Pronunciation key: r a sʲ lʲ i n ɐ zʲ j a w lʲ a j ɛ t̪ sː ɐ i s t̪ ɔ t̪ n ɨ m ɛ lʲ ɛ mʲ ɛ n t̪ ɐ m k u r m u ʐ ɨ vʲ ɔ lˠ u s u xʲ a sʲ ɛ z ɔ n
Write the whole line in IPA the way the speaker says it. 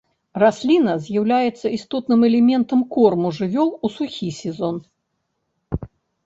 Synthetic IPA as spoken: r a sʲ lʲ i n ɐ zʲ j a w lʲ a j ɛ t̪ sː ɐ i s t̪ ɔ t̪ n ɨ m ɛ lʲ ɛ mʲ ɛ n t̪ ɐ m k ɔ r m u ʐ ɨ vʲ ɔ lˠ u s u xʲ i sʲ ɛ z ɔ n